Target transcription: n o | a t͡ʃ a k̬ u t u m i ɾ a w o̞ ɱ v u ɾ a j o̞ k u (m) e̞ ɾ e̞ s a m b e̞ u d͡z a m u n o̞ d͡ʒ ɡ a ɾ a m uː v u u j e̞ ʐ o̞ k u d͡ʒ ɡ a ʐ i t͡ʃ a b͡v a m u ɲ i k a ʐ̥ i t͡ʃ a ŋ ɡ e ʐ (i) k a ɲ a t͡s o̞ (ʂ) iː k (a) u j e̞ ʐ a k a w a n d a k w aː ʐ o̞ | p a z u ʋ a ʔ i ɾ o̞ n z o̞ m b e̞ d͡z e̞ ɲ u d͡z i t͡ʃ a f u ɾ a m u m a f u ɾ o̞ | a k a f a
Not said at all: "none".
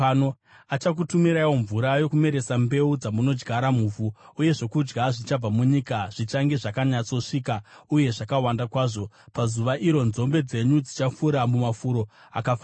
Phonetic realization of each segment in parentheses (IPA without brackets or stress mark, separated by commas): m, a, ʂ, a